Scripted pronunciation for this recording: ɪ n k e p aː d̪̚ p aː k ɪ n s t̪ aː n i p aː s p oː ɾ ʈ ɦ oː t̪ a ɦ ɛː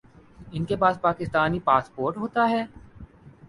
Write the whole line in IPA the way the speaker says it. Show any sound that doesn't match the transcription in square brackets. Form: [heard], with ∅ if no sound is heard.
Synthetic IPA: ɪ n k e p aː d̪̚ p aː k ɪ [∅] s t̪ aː n i p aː s p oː ɾ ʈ ɦ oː t̪ a ɦ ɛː